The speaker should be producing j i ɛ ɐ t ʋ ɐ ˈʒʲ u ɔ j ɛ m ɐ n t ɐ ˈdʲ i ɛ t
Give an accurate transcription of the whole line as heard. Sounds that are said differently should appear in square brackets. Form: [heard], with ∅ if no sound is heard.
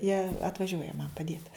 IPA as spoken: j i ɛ ɐ t ʋ ɐ ˈʒʲ u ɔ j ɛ m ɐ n [p] ɐ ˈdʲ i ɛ t